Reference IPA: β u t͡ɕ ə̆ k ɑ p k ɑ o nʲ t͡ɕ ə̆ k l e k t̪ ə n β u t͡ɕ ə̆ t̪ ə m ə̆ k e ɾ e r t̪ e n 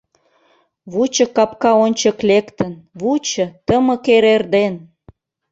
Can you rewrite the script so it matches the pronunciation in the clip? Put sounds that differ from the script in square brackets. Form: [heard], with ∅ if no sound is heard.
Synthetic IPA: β u t͡ɕ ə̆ k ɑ p k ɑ o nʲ t͡ɕ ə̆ k l e k t̪ ə n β u t͡ɕ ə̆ t̪ ə m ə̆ k e ɾ e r [d̪] e n